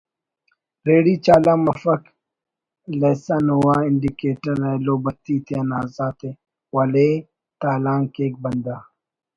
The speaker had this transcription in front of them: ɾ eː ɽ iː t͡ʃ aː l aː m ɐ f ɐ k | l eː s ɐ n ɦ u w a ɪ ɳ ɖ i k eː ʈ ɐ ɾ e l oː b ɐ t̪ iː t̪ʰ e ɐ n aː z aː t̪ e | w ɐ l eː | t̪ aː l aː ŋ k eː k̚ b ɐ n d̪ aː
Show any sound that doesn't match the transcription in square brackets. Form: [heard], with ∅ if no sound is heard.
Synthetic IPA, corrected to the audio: ɾ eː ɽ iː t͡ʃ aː l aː m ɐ f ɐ k | l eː s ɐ n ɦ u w a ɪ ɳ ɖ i k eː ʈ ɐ ɾ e l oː b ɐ t̪ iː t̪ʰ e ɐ n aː z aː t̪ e | w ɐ l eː | t̪ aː l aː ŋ k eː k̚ b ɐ n d̪ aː